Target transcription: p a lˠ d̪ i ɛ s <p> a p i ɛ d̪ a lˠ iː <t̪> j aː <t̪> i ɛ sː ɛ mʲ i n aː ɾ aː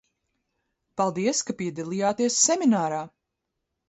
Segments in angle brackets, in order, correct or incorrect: incorrect, incorrect, correct

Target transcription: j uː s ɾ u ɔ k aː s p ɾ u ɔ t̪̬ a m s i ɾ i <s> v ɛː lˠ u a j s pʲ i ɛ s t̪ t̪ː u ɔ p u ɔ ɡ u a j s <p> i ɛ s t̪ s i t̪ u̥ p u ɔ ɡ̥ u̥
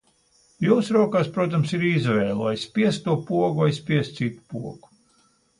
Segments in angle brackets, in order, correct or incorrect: incorrect, correct

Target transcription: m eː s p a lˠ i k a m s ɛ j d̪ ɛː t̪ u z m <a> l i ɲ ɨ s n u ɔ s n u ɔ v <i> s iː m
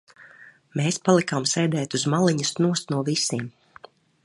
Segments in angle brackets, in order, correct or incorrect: correct, correct

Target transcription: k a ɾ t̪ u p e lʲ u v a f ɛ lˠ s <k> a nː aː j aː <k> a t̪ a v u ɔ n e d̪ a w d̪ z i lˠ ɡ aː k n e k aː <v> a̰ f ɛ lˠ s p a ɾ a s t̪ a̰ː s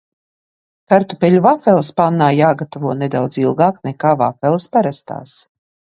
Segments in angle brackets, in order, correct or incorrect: incorrect, incorrect, correct

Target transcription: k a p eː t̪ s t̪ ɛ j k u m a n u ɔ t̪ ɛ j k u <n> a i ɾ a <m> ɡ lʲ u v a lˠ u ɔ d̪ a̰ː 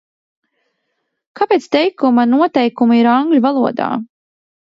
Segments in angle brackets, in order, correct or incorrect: incorrect, incorrect

